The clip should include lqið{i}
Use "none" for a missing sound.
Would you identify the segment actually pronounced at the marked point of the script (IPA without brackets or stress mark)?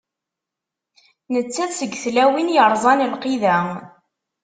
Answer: æ